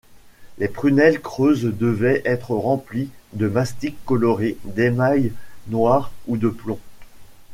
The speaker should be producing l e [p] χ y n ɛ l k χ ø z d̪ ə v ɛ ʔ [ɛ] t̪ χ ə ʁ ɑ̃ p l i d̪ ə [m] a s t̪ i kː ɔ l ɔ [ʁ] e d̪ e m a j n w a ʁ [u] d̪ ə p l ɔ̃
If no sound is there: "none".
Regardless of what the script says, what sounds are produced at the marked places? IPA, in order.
p, ɛ, m, ʁ, u

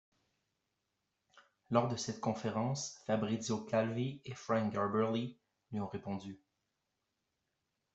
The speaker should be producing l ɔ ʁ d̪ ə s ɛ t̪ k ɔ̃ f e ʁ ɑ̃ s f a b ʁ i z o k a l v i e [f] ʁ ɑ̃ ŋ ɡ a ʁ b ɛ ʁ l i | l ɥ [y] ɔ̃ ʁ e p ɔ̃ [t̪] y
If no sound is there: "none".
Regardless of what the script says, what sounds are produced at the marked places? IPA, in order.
f, i, d̪

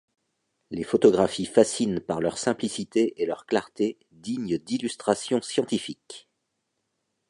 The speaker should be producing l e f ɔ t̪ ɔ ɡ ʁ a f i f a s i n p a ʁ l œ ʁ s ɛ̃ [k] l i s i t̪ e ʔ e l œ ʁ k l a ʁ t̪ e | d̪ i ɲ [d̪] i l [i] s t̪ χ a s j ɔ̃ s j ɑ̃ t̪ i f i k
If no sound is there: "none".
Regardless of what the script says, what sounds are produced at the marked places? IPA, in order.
p, d̪, y

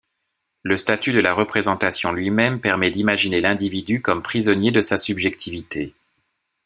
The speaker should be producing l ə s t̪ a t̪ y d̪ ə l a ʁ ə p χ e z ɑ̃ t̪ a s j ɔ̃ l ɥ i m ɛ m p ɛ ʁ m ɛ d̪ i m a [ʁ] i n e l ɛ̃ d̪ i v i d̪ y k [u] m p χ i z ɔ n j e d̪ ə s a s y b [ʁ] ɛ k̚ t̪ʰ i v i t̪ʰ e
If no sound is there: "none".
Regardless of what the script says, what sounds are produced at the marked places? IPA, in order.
ʒ, ɔ, ʒ

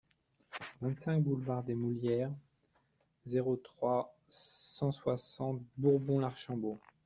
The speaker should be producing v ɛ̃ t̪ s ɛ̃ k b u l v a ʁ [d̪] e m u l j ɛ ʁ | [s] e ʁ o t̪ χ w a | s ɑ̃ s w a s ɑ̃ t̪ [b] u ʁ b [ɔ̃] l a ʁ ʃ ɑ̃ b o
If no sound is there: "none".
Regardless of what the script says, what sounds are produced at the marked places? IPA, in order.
d̪, z, b, ɔ̃

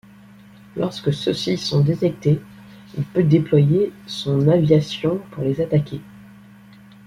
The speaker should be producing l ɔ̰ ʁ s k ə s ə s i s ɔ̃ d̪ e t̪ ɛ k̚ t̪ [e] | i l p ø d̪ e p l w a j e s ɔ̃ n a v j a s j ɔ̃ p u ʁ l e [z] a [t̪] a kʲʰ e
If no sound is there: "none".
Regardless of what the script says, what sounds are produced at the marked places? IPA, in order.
e, z, t̪

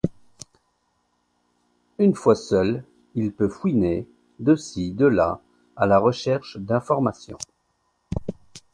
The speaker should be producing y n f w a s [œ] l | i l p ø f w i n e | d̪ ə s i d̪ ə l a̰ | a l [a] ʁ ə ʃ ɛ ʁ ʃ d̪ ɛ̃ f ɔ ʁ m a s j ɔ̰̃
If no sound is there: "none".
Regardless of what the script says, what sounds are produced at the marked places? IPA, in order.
œ, a

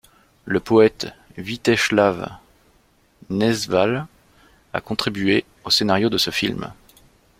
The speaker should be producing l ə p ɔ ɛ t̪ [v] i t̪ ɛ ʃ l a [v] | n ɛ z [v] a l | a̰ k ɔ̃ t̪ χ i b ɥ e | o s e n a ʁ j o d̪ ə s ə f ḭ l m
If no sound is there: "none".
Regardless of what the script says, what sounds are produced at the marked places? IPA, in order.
v, v, v

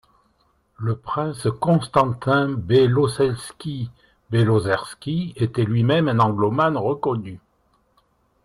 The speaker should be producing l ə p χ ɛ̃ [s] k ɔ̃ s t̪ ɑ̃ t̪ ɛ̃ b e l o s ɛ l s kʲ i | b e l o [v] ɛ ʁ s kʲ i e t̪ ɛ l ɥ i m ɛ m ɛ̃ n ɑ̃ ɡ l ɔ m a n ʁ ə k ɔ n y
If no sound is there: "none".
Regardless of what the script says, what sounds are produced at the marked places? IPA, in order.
s, z

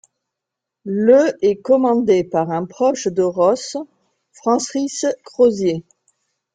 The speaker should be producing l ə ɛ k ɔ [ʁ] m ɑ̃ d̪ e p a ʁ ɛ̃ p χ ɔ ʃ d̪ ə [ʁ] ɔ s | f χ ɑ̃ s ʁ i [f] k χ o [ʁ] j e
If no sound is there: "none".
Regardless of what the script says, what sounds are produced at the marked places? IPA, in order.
none, ʁ, s, z

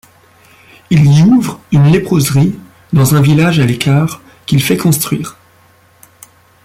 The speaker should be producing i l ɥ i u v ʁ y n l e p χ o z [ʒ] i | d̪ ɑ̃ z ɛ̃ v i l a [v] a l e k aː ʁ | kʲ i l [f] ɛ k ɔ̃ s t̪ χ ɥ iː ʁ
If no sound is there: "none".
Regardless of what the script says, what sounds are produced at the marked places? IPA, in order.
ʁ, ʒ, f

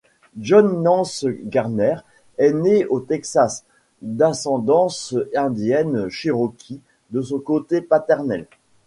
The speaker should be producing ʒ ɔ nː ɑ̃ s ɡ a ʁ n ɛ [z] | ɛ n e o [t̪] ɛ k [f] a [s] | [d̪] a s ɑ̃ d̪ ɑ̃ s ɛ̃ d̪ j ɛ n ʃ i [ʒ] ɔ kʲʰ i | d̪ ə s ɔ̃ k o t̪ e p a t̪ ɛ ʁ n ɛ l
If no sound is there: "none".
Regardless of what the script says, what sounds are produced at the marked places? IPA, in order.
ʁ, t̪, s, s, d̪, ʁ

